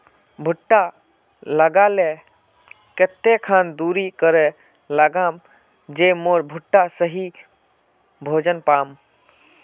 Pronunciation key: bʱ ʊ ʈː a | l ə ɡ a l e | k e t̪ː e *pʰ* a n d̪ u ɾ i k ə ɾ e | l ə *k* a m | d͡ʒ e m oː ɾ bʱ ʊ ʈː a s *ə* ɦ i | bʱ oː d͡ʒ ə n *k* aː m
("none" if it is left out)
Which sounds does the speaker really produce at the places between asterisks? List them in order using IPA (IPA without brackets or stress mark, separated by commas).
kʰ, ɡ, ə, p